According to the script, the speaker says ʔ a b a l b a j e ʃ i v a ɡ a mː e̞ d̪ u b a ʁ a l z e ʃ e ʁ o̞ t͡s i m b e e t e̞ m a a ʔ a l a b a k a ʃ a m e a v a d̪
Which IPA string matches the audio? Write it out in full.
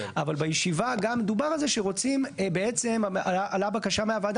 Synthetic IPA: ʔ a v a l b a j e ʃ i v a ɡ a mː e̞ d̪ u b a ʁ a l z e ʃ e ʁ o̞ t͡s i m b e e t͡s e̞ m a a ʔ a l a b a k a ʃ a m e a v a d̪

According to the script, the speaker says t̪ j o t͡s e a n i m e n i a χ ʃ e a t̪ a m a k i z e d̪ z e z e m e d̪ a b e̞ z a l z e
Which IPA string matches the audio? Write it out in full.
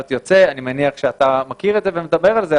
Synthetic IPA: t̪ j o t͡s e a n i m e n i a χ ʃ e a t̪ a m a k i ʁ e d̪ z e v e m e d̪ a b e̞ ʁ a l z e

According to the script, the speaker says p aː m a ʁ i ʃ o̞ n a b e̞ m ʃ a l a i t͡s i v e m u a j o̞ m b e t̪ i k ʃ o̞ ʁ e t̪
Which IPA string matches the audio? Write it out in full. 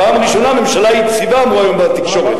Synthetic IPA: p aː m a ʁ i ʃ o̞ n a m e̞ m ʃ a l a i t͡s i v a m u a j o̞ m b a t̪ i k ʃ o̞ ʁ e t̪

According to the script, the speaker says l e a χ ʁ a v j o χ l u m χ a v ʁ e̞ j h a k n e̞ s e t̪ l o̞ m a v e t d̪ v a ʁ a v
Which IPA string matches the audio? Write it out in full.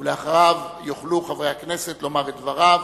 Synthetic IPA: l e a χ ʁ a v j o χ l u χ a v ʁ e̞ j h a k n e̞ s e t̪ l o̞ m a ʁ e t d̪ v a ʁ a v

